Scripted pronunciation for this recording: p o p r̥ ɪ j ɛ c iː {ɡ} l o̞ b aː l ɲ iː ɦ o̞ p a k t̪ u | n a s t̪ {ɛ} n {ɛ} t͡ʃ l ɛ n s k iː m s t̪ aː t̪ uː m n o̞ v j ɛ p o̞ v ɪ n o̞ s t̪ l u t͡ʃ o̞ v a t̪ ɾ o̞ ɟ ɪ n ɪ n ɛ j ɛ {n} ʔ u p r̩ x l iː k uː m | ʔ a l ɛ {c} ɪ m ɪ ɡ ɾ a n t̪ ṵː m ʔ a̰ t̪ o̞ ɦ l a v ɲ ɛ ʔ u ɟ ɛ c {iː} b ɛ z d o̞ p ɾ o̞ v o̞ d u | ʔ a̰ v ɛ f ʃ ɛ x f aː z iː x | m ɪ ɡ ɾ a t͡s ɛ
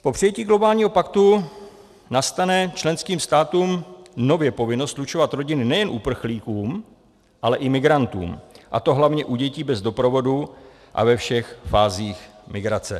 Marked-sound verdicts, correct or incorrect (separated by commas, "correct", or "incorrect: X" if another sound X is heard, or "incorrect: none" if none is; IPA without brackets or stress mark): correct, incorrect: a, correct, correct, incorrect: ʔ, correct